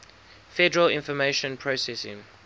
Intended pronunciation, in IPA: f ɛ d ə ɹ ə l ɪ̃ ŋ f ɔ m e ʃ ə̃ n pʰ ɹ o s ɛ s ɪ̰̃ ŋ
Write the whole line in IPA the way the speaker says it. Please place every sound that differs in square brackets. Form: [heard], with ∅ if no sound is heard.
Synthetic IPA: f ɛ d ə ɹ ə l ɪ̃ [n] f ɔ m e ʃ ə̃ n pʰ ɹ o s ɛ s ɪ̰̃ ŋ